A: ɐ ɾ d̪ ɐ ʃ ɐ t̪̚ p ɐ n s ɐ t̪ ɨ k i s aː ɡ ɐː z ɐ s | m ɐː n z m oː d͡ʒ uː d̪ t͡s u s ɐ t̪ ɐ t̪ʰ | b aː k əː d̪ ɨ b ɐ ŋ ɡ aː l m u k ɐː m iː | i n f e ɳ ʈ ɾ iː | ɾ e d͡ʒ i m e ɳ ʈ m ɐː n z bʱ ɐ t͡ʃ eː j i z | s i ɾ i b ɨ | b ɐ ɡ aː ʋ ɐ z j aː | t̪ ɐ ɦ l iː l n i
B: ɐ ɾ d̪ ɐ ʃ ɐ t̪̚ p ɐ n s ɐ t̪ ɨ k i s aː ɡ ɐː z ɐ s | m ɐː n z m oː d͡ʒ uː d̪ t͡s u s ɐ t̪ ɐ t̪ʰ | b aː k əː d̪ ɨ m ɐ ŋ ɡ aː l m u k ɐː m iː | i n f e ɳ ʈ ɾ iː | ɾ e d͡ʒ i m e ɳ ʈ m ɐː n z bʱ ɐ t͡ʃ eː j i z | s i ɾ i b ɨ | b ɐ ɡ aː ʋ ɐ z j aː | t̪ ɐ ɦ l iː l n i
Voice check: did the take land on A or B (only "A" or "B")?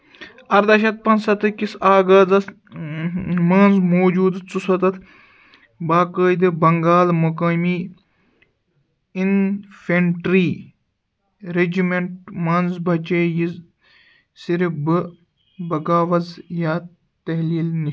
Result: A